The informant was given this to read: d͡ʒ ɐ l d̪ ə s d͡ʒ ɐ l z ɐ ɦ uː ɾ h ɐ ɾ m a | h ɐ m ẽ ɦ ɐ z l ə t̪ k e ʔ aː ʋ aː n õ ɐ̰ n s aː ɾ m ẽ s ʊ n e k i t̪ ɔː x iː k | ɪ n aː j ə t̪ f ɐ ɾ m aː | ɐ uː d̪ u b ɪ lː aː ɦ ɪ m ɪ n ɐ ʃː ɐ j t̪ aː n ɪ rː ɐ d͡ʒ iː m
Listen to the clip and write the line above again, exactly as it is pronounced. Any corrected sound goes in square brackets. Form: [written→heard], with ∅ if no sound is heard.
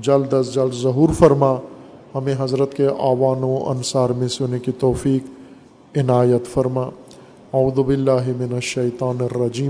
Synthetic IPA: d͡ʒ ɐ l d̪ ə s d͡ʒ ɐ l z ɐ ɦ uː ɾ [h→f] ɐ ɾ m a | h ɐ m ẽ ɦ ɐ z [l→ɾ] ə t̪ k e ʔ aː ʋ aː n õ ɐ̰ n s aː ɾ m ẽ s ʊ n e k i t̪ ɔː [x→f] iː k | ɪ n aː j ə t̪ f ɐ ɾ m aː | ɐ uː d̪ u b ɪ lː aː ɦ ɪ m ɪ n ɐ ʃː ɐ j t̪ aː n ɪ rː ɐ d͡ʒ iː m